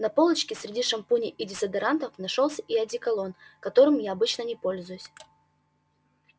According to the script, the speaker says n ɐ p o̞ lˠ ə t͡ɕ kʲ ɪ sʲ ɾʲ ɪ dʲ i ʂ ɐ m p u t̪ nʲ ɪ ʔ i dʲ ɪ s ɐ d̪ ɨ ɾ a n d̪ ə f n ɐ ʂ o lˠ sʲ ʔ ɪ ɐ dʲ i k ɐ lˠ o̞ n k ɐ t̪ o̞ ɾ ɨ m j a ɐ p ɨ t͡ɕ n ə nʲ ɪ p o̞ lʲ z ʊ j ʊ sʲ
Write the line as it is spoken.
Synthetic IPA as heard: n ɐ p o̞ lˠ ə t͡ɕ kʲ ɪ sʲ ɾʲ ɪ dʲ i ʂ ɐ m p u nʲ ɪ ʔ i dʲ ɪ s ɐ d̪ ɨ ɾ a n t̪ ə f n ɐ ʂ o lˠ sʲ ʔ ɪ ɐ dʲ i k ɐ lˠ o̞ n k ɐ t̪ o̞ ɾ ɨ m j a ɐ b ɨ t͡ɕ n ə nʲ ɪ p o̞ lʲ z ʊ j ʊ sʲ